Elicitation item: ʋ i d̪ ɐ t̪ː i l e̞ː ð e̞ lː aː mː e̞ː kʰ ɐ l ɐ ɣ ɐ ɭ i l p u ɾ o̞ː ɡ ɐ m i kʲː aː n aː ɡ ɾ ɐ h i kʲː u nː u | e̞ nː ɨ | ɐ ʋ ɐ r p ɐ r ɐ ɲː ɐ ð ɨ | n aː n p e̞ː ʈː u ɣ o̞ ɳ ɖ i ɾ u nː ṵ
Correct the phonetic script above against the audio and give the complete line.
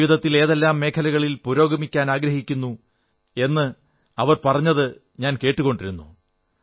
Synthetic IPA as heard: ʋ i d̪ ɐ t̪ː i l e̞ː ð e̞ lː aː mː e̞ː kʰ ɐ l ɐ ɣ ɐ ɭ i l p u ɾ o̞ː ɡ ɐ m i kʲː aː n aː ɡ ɾ ɐ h i kʲː u nː u | e̞ nː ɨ | ɐ ʋ ɐ r p ɐ r ɐ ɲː ɐ ð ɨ | ɲ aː n k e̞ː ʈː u ɣ o̞ ɳ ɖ i ɾ u nː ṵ